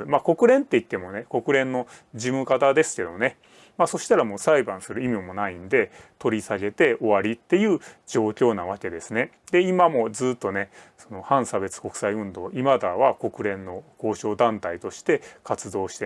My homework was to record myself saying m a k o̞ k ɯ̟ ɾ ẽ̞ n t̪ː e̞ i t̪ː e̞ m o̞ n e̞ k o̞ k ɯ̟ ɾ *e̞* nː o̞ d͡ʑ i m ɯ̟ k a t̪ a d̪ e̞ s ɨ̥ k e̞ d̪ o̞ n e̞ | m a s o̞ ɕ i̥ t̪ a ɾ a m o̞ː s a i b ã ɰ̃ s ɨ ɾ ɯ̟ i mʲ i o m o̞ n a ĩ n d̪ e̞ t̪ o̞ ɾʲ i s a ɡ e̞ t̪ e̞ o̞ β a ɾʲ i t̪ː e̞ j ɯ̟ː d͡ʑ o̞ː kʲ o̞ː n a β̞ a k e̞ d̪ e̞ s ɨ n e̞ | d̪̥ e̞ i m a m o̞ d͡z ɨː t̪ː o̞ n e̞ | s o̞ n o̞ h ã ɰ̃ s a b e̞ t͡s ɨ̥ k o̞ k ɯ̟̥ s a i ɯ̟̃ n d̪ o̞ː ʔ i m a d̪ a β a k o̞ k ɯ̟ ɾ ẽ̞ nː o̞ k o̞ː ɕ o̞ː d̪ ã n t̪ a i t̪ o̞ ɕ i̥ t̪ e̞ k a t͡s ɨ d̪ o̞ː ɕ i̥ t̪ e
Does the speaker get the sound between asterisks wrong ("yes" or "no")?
yes